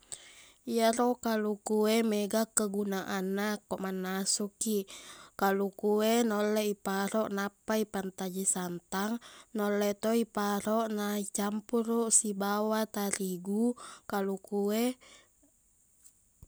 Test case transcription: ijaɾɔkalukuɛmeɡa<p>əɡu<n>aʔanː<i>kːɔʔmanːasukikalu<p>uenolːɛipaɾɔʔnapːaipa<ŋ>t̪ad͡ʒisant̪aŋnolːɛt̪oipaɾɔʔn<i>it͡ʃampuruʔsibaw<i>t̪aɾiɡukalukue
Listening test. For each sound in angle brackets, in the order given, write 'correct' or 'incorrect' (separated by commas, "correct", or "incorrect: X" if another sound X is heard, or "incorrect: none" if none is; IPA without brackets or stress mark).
incorrect: k, correct, incorrect: a, incorrect: k, incorrect: n, incorrect: a, incorrect: a